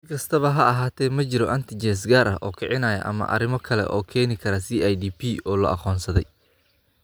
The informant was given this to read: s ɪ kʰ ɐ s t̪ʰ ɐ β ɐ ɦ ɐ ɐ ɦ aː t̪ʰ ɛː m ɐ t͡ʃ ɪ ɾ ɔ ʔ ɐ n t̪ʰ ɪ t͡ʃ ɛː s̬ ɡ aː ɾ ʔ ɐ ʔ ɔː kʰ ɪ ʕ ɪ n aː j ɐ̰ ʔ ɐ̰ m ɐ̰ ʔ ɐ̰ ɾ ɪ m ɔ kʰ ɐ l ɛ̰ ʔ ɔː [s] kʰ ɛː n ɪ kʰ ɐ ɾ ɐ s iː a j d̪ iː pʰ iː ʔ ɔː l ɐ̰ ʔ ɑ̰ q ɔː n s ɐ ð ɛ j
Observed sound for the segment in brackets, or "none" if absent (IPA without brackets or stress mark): none